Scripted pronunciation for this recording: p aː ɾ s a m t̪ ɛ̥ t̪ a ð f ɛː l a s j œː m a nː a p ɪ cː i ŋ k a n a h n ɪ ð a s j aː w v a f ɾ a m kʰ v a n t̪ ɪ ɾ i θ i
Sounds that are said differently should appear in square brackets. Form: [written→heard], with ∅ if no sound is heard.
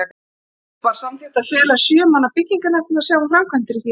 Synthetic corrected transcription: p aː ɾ s a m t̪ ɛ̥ t̪ a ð f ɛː l a s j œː m a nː a p ɪ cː i ŋ k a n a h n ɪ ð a s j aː w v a f ɾ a m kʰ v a n t̪ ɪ ɾ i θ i